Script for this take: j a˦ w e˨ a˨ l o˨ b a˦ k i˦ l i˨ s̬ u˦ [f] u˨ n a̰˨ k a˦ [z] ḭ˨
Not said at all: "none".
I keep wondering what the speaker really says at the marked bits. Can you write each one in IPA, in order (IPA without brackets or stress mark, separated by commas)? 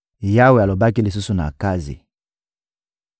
s, z